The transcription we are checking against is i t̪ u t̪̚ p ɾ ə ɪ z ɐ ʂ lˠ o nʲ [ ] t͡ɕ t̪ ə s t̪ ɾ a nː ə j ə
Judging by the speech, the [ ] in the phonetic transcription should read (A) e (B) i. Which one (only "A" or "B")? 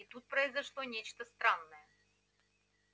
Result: A